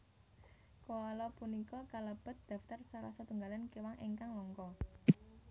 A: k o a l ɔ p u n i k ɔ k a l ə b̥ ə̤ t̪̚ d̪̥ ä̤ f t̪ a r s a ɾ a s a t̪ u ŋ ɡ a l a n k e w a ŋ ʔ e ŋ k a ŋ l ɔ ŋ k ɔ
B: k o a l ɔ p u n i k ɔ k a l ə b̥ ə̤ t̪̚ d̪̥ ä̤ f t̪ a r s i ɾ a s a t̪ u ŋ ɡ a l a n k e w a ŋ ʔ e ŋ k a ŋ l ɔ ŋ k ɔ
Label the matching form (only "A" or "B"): A